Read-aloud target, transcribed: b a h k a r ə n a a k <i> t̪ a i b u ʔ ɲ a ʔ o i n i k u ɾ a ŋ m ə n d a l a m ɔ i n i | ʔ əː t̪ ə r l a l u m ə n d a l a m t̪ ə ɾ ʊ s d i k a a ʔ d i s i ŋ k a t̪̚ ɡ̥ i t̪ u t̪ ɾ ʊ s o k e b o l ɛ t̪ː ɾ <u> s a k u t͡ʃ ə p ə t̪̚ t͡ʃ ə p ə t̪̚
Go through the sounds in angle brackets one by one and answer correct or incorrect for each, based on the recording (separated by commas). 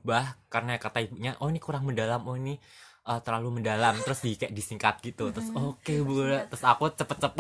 incorrect, incorrect